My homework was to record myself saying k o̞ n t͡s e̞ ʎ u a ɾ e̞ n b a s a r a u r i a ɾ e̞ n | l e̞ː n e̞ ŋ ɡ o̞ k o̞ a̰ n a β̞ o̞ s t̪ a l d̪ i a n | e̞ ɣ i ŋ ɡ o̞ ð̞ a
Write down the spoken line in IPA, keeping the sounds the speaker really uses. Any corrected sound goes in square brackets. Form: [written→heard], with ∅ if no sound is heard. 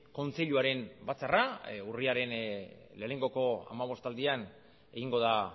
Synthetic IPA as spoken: k o̞ n t͡s e̞ ʎ u a ɾ e̞ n b a [s→t͡s] a r a u r i a ɾ e̞ n | l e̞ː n e̞ ŋ ɡ o̞ k o̞ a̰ [n→m] a β̞ o̞ s t̪ a l d̪ i a n | e̞ ɣ i ŋ ɡ o̞ ð̞ a